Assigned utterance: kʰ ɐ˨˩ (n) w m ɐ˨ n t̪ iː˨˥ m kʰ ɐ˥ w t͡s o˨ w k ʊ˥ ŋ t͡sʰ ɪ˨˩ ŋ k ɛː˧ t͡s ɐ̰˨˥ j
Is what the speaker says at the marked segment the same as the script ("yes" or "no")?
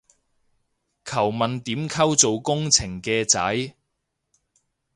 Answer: no